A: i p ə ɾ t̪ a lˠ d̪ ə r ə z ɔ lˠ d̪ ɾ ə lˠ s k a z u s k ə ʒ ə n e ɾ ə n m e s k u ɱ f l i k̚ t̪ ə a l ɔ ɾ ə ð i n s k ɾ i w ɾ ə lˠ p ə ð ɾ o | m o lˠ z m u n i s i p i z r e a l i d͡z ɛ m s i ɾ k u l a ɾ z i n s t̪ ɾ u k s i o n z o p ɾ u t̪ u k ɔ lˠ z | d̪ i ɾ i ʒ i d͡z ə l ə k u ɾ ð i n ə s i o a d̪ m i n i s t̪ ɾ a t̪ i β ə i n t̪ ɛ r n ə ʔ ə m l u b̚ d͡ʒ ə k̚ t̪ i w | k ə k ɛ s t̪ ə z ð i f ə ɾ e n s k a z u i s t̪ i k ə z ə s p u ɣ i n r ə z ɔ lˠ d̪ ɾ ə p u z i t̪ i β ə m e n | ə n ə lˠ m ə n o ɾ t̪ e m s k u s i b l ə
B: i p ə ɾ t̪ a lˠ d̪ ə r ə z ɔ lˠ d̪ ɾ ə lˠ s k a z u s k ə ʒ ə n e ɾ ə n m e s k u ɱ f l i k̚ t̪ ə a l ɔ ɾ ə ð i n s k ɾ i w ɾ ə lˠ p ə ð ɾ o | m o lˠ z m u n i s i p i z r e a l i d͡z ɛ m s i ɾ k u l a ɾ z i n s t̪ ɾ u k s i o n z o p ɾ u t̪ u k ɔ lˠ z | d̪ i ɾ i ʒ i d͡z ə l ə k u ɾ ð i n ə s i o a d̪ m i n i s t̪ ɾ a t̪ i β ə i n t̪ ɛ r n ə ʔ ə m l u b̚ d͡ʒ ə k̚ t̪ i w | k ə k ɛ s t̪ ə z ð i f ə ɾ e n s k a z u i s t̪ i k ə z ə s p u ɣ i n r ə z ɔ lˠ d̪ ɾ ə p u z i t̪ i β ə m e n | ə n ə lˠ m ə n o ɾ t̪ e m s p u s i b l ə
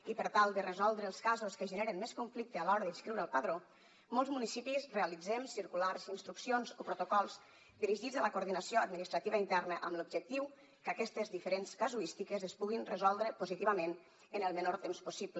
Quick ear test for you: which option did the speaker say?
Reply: B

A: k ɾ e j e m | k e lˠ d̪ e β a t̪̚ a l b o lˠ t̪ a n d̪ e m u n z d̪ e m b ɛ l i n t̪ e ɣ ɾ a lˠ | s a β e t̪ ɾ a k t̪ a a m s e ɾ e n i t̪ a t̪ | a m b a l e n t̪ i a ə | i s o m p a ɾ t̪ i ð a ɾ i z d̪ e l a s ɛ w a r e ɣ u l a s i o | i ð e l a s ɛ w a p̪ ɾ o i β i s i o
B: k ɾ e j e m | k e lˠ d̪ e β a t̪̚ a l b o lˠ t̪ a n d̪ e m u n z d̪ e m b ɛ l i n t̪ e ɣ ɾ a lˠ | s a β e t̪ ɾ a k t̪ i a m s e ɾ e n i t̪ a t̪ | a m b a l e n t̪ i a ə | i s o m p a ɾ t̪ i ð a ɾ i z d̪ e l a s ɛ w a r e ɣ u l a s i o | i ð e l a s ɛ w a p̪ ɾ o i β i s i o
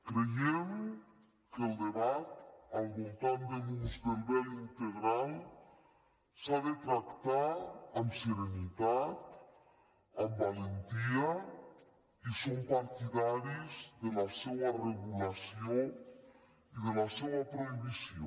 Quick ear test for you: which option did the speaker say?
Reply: A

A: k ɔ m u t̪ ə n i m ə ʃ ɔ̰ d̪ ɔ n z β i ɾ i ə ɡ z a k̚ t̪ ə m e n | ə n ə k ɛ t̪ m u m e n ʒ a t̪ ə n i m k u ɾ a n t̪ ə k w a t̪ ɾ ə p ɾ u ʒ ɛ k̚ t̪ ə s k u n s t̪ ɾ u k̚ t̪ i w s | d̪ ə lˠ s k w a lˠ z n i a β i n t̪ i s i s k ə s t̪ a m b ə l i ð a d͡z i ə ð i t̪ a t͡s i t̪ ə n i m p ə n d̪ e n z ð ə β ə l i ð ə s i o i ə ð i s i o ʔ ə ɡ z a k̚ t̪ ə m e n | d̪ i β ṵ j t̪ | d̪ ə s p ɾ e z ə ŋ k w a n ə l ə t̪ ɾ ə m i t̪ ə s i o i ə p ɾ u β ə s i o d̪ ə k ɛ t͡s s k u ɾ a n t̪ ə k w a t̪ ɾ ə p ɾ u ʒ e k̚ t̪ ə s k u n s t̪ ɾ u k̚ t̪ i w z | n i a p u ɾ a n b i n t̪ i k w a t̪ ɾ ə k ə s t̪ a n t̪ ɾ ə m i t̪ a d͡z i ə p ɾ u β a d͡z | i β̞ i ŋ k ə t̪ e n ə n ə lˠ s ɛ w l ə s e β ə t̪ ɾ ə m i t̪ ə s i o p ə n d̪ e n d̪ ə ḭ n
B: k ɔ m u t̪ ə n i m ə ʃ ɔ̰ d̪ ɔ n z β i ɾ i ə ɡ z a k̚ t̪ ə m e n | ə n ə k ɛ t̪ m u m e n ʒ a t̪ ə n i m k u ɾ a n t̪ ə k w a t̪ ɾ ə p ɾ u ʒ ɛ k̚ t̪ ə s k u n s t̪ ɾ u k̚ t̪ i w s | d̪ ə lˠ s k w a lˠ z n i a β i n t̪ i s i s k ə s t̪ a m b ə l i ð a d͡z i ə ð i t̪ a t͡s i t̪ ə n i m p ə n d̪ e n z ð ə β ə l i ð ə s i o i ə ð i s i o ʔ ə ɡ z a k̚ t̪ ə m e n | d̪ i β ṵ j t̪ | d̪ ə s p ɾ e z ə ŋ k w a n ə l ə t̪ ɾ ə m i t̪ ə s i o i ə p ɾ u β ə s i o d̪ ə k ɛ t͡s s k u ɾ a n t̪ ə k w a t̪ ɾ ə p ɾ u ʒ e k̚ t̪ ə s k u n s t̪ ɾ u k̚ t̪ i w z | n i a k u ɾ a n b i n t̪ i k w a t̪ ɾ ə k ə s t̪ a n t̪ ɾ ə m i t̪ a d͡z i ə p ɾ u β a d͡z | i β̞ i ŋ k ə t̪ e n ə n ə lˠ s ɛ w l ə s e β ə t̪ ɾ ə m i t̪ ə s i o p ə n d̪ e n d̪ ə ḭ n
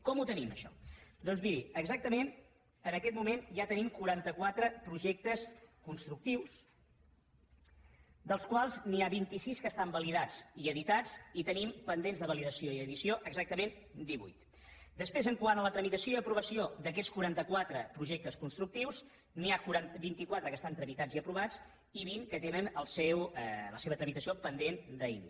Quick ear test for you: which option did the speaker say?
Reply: B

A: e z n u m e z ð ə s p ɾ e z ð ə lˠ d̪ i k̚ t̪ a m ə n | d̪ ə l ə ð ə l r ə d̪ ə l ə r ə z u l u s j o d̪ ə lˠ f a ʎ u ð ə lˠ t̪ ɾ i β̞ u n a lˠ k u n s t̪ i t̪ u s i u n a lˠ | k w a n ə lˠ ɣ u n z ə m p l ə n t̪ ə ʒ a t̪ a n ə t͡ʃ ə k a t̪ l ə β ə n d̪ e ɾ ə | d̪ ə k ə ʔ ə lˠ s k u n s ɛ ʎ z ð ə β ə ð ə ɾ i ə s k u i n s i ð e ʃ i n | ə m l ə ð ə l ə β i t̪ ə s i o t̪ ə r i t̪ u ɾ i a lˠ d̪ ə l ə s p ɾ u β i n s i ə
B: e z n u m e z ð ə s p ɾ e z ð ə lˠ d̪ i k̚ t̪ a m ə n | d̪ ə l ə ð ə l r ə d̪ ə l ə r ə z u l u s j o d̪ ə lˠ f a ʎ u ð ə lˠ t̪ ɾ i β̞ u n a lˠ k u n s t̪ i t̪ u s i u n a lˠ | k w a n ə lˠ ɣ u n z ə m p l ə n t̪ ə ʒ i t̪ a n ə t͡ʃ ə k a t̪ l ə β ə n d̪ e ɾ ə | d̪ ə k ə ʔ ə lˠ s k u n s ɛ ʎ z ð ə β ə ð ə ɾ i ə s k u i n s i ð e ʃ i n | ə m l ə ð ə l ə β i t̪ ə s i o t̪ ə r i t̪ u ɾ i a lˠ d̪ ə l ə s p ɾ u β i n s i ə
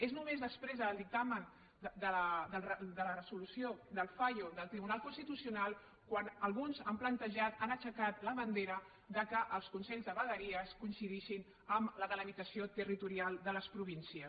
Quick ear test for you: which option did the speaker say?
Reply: A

